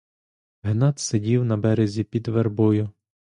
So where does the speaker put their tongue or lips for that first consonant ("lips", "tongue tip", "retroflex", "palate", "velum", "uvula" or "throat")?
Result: throat